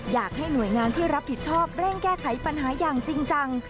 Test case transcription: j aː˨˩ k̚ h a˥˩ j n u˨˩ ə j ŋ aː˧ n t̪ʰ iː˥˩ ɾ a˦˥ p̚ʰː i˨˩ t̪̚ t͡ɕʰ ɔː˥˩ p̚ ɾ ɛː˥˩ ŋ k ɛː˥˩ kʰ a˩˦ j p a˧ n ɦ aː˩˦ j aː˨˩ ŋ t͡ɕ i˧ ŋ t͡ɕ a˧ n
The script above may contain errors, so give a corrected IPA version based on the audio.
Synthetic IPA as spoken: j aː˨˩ k̚ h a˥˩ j n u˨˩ ə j ŋ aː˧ n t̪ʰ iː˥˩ ɾ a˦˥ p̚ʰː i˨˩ t̪̚ t͡ɕʰ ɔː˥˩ p̚ ɾ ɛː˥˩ ŋ k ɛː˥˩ kʰ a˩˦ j p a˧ n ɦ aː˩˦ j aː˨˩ ŋ t͡ɕ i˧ ŋ t͡ɕ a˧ ŋ